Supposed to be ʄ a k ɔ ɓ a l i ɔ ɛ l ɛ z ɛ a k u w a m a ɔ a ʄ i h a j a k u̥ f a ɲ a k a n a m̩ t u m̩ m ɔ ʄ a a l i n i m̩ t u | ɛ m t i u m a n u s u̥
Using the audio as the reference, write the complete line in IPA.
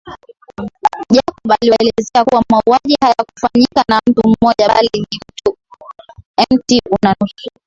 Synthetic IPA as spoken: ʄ a k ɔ ɓ a l i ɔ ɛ l ɛ z ɛ a k u w a m a u a ʄ i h a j a k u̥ f a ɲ i k a n a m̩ t u m̩ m ɔ ʄ a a l i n i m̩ t u | ɛ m t i u n a n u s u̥